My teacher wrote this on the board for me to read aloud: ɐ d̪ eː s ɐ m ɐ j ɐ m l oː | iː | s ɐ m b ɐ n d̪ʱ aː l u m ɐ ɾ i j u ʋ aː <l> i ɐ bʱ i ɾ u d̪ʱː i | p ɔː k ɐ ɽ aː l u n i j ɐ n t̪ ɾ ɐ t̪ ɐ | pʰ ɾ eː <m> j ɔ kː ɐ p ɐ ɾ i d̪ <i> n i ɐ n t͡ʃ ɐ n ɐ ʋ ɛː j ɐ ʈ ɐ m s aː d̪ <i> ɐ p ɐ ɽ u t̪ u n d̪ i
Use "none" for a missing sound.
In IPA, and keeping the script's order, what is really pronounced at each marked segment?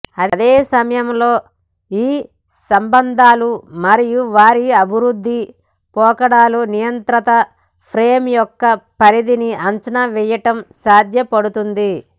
ɾ, m, i, j

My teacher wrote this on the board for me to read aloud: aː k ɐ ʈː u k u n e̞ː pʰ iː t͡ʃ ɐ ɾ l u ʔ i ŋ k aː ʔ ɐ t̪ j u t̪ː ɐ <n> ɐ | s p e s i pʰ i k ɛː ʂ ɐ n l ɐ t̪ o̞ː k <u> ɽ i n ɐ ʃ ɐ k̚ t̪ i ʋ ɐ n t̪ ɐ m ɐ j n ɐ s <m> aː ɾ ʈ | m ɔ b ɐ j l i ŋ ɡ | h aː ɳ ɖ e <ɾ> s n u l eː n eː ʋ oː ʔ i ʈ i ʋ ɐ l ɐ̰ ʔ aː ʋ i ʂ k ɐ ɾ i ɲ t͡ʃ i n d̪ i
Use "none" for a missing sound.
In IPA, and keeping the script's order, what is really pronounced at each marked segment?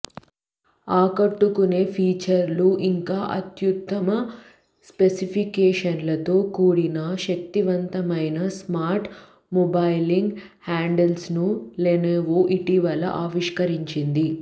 m, uː, m, l

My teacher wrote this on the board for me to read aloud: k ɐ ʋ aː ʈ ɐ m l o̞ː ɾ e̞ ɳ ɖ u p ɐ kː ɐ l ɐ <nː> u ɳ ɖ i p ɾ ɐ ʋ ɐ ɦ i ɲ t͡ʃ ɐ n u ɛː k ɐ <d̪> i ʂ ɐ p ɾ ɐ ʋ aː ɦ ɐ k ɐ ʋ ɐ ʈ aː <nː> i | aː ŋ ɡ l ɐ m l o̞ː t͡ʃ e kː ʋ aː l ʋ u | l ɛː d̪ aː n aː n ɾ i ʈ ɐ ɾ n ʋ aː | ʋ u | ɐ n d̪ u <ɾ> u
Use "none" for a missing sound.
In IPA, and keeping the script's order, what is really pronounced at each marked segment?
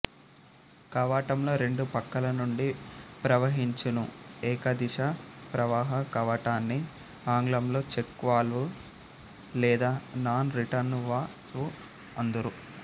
n, d̪, nː, ɾ

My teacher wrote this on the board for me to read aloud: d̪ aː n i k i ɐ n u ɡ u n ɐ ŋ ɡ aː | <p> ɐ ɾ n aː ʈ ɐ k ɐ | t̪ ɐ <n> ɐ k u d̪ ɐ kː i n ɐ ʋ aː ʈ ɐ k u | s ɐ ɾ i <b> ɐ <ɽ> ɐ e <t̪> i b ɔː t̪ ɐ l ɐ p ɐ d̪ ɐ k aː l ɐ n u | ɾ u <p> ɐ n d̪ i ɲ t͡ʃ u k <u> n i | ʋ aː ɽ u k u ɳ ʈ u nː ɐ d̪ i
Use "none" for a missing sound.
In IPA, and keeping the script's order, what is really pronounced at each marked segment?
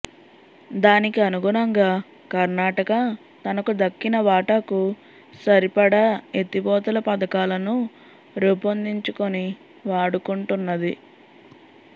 k, n, p, ɽ, t̪, p, o

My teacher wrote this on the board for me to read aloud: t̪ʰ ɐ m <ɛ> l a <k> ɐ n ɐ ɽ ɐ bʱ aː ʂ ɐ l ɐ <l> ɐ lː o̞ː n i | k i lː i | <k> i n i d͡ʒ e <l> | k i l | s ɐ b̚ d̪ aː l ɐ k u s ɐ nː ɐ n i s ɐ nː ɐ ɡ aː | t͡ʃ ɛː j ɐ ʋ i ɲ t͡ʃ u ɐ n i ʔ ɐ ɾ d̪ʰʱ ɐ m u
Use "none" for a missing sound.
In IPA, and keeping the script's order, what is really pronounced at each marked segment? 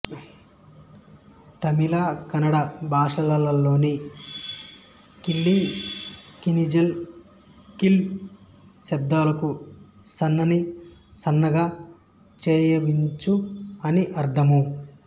i, k, l, k, l

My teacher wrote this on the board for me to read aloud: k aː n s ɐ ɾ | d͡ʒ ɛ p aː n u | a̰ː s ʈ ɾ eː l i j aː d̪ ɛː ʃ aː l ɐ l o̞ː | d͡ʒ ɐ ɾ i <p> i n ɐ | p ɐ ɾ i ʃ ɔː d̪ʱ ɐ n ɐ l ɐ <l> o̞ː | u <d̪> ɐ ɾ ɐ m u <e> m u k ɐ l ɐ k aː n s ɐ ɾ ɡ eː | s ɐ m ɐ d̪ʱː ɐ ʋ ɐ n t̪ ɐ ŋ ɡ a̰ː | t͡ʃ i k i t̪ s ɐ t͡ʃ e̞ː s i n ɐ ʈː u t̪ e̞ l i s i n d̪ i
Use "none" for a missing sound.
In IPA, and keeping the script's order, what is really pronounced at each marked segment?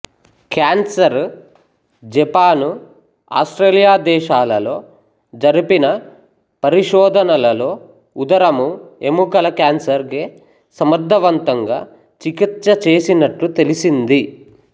p, l, d̪, e

